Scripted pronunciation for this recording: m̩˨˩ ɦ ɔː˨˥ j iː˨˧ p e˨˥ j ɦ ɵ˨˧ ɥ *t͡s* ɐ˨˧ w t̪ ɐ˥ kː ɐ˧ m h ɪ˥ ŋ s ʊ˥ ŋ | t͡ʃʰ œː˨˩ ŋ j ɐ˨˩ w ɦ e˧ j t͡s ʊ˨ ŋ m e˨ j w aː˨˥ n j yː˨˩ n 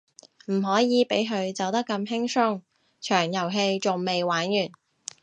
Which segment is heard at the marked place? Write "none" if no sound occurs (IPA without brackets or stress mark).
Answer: t͡s